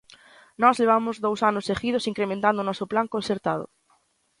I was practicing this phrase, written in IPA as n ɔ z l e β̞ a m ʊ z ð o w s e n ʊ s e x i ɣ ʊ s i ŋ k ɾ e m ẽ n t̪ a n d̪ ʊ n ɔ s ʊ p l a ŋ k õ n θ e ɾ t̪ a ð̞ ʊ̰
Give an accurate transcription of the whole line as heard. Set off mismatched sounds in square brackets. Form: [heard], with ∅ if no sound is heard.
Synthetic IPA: n ɔ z l e β̞ a m ʊ z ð o w s [a] n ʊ s e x i [ð] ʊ s i ŋ k ɾ e m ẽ n t̪ a n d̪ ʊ n ɔ s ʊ p l a ŋ k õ n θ e ɾ t̪ a ð̞ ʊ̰